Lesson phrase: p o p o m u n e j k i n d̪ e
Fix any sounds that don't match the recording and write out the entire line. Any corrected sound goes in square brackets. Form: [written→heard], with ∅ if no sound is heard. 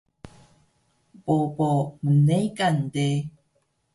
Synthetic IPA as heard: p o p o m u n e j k [i→a] n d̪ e